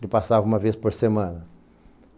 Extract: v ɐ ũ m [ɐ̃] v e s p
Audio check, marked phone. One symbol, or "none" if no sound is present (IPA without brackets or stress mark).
ɐ